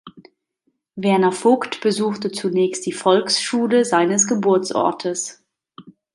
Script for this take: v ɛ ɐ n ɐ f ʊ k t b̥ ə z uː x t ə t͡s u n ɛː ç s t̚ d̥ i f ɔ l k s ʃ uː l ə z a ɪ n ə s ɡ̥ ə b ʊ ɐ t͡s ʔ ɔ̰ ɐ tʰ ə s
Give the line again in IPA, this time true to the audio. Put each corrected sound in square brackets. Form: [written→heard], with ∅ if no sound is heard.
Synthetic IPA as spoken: v ɛ ɐ n ɐ f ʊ k t b̥ ə z uː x t ə t͡s u n ɛː ç s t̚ d̥ [i→iː] f ɔ l k s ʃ uː l ə z a ɪ n ə s ɡ̥ ə b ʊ ɐ t͡s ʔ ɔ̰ ɐ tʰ ə s